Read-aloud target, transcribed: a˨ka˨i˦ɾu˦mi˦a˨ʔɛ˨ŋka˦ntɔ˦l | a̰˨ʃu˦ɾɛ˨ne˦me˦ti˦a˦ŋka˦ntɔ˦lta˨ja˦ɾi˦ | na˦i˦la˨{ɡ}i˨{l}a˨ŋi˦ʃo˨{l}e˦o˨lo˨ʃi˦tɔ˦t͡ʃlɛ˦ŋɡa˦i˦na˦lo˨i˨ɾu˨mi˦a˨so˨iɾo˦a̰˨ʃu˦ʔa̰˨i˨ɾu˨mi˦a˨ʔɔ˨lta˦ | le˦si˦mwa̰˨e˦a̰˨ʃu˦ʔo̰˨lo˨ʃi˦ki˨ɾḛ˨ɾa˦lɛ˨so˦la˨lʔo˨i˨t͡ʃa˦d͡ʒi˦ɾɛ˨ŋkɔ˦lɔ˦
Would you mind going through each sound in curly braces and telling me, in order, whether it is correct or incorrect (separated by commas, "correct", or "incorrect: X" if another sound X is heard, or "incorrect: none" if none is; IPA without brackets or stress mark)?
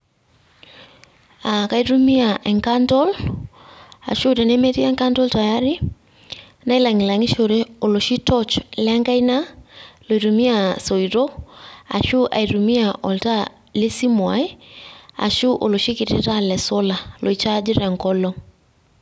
incorrect: ŋ, correct, incorrect: ɾ